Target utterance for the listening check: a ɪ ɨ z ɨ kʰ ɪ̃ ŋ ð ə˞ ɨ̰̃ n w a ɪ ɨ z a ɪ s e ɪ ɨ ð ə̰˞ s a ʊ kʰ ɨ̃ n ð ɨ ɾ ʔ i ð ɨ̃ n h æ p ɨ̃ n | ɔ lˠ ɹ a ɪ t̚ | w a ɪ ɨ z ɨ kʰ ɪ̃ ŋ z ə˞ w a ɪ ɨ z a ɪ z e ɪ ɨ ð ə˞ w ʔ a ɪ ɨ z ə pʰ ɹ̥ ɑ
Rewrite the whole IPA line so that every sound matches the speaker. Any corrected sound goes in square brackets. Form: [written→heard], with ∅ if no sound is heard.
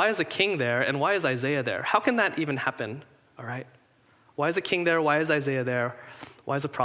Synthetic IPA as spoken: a ɪ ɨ z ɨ kʰ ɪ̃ ŋ ð ə˞ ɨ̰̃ n w a ɪ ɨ z a ɪ [s→z] e ɪ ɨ ð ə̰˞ [s→h] a ʊ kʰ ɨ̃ n ð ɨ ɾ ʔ i [ð→v] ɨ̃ n h æ p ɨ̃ n | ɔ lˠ ɹ a ɪ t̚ | w a ɪ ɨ z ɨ kʰ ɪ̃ ŋ [z→ð] ə˞ w a ɪ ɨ z a ɪ z e ɪ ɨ ð ə˞ w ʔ a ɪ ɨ z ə pʰ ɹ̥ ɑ